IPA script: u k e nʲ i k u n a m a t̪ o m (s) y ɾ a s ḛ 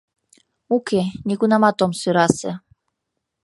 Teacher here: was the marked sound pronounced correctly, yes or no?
yes